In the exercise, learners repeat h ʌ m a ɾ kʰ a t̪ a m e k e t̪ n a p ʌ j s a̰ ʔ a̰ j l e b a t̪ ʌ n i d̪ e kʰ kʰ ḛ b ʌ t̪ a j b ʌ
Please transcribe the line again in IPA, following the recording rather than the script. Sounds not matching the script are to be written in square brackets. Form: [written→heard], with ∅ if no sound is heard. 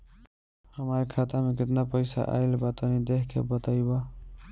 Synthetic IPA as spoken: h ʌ m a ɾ kʰ a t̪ a m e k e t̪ n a p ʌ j s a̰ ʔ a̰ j l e b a t̪ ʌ n i d̪ e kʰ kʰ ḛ b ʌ t̪ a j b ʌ